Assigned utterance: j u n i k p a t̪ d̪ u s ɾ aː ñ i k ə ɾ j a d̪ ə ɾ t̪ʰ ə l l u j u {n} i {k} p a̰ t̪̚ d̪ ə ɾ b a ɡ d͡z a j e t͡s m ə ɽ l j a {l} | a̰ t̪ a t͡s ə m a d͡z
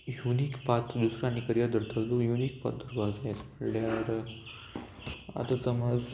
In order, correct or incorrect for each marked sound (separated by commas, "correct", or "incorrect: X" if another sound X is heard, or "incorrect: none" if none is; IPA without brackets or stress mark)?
correct, correct, incorrect: ɾ